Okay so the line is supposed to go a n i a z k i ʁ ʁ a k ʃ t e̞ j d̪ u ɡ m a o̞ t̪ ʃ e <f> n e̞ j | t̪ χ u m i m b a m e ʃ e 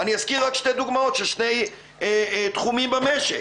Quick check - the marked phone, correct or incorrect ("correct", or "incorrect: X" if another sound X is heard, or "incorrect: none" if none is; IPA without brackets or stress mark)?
incorrect: ʃ